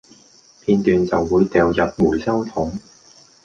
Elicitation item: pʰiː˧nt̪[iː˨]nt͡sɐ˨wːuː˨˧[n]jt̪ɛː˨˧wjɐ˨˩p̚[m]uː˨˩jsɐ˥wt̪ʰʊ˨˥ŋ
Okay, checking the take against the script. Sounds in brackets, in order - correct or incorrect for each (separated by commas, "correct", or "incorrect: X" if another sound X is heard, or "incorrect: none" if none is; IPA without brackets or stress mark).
incorrect: yː˨, incorrect: none, correct